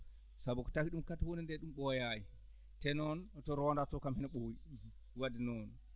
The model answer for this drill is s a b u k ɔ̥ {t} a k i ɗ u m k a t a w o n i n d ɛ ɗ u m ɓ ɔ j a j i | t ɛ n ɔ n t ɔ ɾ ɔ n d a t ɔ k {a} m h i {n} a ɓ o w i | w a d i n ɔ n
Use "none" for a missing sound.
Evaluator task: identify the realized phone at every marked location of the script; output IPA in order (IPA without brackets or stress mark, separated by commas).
t, a, n